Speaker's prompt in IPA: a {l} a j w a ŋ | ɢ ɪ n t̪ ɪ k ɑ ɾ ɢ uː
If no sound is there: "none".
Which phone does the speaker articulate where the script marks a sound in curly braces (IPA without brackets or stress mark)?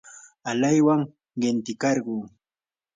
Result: l